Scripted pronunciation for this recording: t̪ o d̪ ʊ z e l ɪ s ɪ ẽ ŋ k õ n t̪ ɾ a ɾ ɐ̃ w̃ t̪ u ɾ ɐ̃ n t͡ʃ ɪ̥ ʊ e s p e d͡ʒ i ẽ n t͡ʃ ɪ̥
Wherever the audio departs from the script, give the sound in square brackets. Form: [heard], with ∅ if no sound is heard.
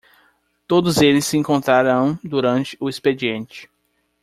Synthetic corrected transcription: t̪ o d̪ ʊ z e l ɪ s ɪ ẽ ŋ k õ n t̪ ɾ a ɾ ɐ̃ w̃ [d̪] u ɾ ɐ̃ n t͡ʃ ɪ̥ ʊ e s p e d͡ʒ i ẽ n t͡ʃ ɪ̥